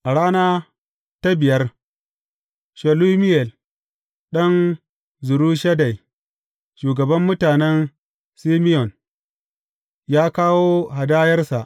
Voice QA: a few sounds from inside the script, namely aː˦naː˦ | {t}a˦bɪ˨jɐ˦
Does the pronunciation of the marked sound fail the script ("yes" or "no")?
no